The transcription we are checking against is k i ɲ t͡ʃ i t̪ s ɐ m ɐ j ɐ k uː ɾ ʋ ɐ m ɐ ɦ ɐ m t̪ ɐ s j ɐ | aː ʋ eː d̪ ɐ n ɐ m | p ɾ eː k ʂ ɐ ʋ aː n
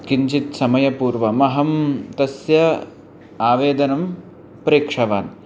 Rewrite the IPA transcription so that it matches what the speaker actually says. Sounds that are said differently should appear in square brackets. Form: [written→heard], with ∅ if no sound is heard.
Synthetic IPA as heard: k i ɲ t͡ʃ i t̪ s ɐ m ɐ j ɐ [k→p] uː ɾ ʋ ɐ m ɐ ɦ ɐ m t̪ ɐ s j ɐ | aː ʋ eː d̪ ɐ n ɐ m | p ɾ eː k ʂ ɐ ʋ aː n